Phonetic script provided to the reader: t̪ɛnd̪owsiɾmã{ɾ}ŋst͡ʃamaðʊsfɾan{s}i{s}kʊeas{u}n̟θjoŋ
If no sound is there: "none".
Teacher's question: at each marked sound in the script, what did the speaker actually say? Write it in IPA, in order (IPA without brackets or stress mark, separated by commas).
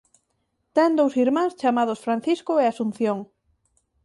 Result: none, θ, s, u